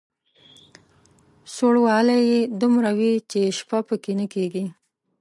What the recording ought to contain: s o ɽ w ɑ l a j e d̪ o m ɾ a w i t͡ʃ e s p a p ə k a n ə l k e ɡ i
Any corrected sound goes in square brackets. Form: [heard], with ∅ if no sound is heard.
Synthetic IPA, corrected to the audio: s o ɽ w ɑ l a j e d̪ [u] m ɾ a w i t͡ʃ e [ʃ] p a p ə k [e] n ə [∅] k e ɡ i